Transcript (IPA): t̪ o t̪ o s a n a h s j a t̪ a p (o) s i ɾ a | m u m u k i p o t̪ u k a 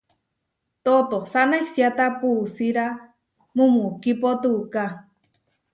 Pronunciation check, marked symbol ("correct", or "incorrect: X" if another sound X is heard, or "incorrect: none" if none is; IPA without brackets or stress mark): incorrect: u